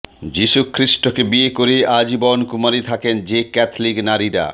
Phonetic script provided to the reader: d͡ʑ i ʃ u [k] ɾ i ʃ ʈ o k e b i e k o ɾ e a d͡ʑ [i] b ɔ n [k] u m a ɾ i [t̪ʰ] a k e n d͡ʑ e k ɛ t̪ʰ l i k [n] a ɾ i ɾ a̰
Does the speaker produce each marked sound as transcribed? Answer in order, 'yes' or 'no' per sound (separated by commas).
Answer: no, yes, yes, yes, yes